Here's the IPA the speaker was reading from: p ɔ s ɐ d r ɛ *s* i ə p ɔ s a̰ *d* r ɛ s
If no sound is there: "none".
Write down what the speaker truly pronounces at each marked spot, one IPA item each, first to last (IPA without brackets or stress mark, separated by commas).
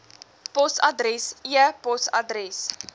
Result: s, d